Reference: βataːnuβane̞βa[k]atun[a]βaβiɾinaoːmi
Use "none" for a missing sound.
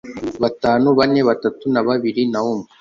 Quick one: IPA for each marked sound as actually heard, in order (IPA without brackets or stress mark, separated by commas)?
t, a